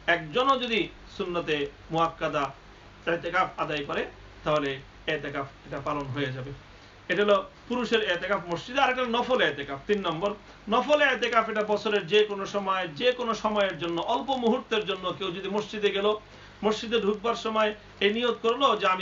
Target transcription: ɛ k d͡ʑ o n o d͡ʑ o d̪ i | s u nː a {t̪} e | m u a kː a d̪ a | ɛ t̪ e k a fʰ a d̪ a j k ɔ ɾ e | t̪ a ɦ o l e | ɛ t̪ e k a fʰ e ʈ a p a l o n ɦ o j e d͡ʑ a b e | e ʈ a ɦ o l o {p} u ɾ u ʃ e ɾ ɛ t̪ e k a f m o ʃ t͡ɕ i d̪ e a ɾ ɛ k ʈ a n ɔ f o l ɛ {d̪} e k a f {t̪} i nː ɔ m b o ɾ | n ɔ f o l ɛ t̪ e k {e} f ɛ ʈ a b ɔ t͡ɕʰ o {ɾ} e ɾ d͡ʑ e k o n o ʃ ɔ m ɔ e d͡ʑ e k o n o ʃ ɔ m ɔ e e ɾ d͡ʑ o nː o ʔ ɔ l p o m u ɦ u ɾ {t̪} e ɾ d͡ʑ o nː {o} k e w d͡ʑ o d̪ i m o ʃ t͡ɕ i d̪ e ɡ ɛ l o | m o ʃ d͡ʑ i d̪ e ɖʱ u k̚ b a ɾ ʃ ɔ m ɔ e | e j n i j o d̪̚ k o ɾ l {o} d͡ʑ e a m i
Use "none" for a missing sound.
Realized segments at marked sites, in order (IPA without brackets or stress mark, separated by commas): t̪, p, t̪, t̪, a, ɾ, t̪, o, o